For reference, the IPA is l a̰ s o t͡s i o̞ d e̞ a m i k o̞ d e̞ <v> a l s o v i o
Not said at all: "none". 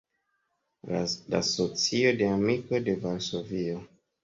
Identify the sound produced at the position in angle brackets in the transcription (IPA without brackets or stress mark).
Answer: v